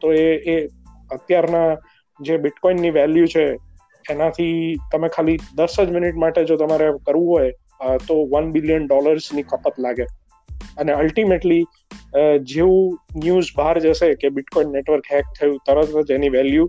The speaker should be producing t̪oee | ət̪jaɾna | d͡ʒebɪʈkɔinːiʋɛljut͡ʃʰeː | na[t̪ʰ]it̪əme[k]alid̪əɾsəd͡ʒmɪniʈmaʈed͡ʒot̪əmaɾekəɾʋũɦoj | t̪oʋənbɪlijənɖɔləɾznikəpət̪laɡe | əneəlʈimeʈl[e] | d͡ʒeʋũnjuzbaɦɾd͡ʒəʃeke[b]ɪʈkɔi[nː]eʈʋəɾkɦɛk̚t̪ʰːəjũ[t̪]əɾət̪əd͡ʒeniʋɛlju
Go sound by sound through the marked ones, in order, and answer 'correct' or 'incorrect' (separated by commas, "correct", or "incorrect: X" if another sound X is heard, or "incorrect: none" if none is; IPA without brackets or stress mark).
correct, incorrect: kʰ, incorrect: i, correct, correct, correct